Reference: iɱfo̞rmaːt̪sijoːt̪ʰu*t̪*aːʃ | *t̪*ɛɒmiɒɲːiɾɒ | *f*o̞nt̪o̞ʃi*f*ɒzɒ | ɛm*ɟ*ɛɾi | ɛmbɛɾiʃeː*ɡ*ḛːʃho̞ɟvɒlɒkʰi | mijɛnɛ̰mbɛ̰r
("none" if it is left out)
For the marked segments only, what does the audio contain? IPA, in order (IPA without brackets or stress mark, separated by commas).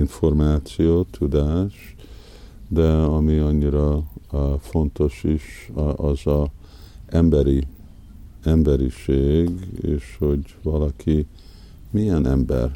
d̪, d̪, f, ʃ, b, ɡ